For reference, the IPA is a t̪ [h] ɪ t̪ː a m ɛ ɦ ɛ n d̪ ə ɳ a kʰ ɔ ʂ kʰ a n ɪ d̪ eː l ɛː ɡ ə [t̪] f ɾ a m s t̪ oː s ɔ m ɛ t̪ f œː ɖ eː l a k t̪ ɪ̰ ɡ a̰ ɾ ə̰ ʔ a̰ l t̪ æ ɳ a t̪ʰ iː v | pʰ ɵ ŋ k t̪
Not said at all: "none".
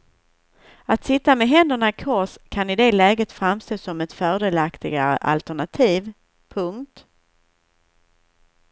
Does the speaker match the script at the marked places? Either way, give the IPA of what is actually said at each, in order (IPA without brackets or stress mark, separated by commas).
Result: s, t̪